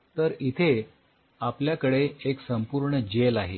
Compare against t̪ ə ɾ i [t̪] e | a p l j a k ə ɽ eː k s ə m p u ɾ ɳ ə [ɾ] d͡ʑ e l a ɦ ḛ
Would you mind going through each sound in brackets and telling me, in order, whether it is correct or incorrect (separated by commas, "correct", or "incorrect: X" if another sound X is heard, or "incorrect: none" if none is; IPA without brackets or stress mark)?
incorrect: t̪ʰ, incorrect: none